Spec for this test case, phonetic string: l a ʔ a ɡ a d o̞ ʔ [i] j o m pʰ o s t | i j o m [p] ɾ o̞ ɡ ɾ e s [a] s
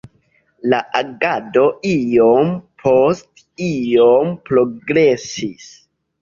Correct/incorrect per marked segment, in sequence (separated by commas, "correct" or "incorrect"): correct, correct, incorrect